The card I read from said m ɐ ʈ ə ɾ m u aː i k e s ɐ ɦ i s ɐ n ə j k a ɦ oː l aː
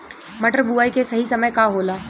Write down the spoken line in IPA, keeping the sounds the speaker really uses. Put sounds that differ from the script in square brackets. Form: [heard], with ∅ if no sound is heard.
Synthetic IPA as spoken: m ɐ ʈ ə ɾ [b] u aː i k e s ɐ ɦ i s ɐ [m] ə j k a ɦ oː l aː